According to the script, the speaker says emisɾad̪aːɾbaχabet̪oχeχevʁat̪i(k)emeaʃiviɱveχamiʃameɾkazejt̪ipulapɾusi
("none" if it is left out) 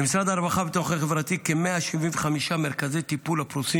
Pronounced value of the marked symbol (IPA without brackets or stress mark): k